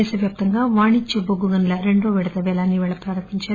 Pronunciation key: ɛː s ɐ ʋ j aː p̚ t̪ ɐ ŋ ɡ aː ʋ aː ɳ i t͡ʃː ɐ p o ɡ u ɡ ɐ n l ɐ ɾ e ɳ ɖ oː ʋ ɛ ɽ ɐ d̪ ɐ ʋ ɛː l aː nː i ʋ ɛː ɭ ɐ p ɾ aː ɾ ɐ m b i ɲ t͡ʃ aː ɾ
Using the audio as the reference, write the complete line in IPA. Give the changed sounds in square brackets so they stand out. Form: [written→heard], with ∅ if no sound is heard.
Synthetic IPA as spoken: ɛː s ɐ ʋ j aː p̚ t̪ ɐ ŋ ɡ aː ʋ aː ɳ i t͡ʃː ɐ [p→b] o ɡ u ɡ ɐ n l ɐ ɾ e ɳ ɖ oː ʋ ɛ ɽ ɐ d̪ ɐ ʋ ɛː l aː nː i ʋ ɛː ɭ ɐ p ɾ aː ɾ ɐ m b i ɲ t͡ʃ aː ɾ